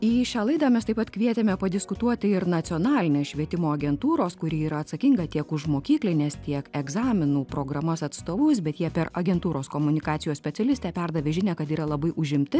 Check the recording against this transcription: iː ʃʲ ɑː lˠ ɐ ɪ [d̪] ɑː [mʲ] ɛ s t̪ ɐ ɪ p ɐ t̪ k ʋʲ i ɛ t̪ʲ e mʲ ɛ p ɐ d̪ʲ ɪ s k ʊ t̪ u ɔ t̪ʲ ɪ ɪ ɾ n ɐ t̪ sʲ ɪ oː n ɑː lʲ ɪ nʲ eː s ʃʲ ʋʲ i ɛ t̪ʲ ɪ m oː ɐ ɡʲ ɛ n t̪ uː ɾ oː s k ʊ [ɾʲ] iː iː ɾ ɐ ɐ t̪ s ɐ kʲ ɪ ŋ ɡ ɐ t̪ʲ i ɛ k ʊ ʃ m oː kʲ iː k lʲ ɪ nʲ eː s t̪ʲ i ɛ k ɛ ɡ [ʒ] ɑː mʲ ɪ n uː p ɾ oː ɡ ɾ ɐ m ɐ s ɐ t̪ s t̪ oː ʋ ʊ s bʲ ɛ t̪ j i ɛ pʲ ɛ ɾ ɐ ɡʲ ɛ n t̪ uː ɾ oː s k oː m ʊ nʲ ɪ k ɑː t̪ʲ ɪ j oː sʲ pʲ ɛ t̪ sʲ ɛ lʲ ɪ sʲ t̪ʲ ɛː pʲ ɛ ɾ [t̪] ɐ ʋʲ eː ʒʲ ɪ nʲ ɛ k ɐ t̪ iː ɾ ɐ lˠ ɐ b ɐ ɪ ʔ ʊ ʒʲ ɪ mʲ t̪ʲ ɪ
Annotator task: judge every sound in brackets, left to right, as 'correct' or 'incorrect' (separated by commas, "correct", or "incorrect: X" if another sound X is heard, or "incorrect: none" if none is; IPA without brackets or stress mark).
correct, correct, correct, incorrect: z, incorrect: d̪